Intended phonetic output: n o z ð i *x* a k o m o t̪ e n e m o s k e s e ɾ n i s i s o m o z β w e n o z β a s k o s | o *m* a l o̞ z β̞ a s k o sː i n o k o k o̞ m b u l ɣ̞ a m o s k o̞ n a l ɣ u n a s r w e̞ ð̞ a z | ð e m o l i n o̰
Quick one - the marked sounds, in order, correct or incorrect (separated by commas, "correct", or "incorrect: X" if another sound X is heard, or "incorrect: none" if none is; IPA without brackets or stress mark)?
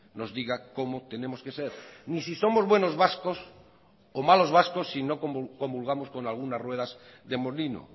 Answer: incorrect: ɣ, correct